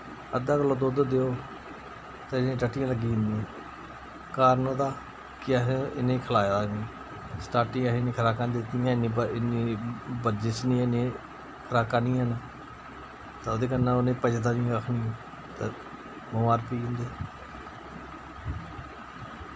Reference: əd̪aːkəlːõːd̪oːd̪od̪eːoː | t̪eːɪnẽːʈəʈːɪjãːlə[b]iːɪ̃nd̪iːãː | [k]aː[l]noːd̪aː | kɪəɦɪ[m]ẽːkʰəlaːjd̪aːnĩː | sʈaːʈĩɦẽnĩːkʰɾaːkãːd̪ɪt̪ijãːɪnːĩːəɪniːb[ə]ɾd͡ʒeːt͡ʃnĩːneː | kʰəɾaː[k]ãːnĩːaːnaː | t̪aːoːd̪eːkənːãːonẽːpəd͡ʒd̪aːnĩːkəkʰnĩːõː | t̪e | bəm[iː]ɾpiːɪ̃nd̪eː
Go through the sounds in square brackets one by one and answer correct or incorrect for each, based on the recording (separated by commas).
incorrect, correct, incorrect, incorrect, correct, correct, incorrect